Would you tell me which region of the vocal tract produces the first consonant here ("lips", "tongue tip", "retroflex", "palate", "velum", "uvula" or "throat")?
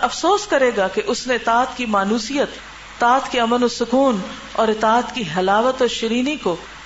lips